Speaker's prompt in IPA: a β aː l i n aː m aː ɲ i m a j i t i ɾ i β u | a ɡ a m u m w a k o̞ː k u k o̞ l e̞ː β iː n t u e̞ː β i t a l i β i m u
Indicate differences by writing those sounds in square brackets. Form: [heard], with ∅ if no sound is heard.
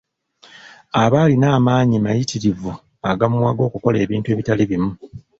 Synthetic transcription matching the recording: a β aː l i n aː m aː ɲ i m a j i t i ɾ i [v] u | a ɡ a m u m w a [ɡ] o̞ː k u k o̞ l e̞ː β iː n t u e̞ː β i t a l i β i m u